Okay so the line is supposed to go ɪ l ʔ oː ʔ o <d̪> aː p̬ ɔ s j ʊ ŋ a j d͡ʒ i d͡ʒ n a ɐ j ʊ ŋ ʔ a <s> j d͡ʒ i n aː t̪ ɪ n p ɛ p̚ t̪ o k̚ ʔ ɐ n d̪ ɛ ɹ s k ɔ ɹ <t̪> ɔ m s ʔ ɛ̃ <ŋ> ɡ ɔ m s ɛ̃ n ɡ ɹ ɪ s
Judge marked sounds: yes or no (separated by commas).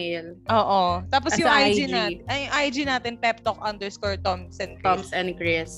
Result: no, no, yes, no